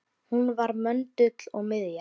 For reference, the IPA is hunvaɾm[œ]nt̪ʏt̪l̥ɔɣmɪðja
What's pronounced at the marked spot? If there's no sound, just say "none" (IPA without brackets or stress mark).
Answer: œ